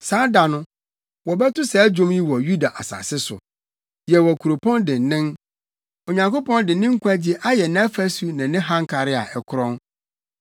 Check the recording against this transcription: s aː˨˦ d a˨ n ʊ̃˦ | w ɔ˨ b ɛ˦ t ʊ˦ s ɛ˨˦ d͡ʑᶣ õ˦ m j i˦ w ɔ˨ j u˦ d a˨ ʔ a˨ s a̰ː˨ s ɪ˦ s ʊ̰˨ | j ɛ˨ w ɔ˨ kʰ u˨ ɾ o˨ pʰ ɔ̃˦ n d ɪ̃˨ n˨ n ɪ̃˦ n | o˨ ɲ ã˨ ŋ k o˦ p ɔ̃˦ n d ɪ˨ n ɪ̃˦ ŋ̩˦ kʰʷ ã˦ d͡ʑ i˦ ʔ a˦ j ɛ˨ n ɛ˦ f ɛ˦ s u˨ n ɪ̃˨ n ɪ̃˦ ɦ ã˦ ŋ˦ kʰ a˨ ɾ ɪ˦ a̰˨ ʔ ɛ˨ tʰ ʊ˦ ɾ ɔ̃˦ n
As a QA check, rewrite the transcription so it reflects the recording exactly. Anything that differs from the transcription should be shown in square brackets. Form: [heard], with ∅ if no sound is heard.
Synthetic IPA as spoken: s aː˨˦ d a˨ n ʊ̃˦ | w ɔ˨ b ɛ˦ t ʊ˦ s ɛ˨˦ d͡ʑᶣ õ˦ m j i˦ w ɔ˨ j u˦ d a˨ ʔ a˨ s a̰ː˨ s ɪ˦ s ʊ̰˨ | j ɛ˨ w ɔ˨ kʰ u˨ ɾ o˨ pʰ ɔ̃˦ n d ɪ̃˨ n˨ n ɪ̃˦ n | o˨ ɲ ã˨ ŋ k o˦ p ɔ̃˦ n d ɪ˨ n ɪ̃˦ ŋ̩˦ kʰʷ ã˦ d͡ʑ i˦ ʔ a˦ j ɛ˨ n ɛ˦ f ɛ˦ s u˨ n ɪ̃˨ n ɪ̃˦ ɦ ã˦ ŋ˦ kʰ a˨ ɾ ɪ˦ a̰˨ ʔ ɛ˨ [kʰ] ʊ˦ ɾ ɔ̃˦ n

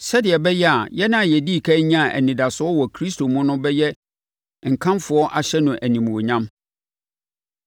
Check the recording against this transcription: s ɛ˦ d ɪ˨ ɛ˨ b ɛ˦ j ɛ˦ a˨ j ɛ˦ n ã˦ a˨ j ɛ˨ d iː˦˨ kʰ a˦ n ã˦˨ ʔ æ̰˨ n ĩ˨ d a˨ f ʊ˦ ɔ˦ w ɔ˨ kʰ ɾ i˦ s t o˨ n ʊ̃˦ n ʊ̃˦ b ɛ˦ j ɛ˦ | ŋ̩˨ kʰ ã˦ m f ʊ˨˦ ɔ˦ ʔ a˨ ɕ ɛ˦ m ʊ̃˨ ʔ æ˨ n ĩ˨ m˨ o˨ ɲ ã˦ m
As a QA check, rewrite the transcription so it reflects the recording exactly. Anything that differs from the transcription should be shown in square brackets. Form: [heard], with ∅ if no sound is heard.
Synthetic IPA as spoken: s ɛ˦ d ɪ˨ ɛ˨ b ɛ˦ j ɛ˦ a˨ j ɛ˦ n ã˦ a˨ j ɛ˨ d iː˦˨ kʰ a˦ [ɲ] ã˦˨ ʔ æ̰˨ n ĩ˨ d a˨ [s] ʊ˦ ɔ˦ w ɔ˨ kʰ ɾ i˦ s t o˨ [m] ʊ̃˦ n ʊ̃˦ b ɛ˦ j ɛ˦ | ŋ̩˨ kʰ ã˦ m f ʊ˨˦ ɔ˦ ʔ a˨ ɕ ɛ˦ [n] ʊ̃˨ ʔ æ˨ n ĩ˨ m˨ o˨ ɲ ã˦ m

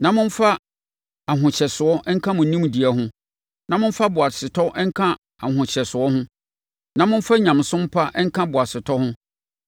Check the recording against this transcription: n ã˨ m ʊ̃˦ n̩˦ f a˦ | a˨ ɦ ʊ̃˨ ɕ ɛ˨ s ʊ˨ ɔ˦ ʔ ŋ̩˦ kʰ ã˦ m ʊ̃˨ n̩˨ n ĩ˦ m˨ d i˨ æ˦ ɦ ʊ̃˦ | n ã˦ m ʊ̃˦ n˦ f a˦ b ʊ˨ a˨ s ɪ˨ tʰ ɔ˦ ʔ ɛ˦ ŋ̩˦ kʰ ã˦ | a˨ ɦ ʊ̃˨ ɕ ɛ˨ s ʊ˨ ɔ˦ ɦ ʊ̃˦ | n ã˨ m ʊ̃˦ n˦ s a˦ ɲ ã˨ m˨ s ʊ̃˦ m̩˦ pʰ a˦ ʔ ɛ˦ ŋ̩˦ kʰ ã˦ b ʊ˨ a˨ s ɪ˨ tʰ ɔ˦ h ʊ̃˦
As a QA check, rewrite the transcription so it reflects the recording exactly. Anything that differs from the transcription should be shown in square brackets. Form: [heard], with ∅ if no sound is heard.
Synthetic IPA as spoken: n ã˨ m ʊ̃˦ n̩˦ f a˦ | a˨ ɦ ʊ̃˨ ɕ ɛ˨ s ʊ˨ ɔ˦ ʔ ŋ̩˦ kʰ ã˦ m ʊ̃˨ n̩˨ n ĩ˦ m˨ d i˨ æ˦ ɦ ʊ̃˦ | n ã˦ m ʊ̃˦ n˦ f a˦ b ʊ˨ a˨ s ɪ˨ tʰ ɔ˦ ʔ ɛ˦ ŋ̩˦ kʰ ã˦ | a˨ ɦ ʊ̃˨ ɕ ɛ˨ s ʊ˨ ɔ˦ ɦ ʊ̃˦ | n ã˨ m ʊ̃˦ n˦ [f] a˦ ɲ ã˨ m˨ s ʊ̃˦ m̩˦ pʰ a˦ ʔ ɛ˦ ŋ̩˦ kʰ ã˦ b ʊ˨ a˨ s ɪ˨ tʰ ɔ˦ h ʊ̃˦

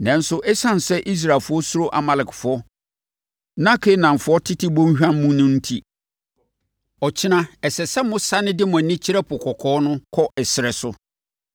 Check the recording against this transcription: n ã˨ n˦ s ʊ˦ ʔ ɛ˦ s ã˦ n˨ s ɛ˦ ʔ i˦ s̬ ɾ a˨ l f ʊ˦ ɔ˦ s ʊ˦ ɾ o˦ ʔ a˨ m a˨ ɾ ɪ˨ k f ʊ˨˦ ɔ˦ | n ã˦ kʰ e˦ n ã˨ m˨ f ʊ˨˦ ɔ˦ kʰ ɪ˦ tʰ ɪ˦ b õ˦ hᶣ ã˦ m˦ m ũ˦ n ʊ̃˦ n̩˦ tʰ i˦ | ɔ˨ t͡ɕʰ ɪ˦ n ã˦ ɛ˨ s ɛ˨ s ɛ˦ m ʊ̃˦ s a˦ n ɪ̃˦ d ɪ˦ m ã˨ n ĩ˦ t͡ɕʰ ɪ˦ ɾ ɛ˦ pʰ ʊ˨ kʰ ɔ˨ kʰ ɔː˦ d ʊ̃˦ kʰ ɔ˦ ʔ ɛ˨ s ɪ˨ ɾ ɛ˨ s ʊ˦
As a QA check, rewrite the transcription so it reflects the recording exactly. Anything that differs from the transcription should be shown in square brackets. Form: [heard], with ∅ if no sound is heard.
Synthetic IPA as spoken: n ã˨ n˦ s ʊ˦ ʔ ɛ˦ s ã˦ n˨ s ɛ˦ ʔ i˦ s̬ ɾ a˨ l f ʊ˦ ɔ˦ s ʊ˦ ɾ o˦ ʔ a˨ m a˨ [l] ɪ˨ k f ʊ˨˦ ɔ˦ | n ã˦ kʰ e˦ n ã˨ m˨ f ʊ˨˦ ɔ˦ [tʰ] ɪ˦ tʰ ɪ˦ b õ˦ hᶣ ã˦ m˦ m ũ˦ n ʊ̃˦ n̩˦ tʰ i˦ | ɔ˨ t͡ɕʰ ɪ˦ n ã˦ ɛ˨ s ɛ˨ s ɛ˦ m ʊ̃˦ s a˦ n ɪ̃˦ d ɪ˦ m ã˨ n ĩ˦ t͡ɕʰ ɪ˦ ɾ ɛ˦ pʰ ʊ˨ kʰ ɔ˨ kʰ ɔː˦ [n] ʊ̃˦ kʰ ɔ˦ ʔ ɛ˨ s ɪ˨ ɾ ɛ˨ s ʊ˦

